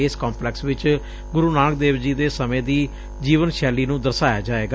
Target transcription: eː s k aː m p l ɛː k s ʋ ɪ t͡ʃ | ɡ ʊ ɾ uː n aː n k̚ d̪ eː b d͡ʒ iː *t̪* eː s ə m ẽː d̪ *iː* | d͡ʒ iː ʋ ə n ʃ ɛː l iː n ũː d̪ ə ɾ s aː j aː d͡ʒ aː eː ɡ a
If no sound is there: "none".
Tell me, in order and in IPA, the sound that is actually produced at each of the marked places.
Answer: d̪, iː

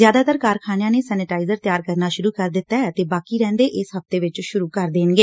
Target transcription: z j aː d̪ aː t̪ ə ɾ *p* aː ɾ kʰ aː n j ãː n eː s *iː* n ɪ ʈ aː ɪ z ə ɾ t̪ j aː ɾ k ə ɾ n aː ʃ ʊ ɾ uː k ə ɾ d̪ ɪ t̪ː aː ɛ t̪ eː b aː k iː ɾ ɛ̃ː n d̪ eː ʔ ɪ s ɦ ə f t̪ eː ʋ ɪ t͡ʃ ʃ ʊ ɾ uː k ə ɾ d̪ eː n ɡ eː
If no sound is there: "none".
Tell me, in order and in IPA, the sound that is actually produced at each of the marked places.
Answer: k, ɛː

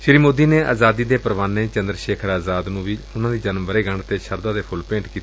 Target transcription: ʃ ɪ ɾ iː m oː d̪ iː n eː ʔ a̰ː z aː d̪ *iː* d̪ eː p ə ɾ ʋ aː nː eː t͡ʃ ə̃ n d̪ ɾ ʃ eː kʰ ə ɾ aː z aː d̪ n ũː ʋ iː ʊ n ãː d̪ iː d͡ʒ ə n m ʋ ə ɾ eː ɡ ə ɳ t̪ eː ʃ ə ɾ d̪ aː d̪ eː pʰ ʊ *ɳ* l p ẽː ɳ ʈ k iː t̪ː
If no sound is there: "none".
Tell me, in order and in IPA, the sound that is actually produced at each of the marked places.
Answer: iː, none

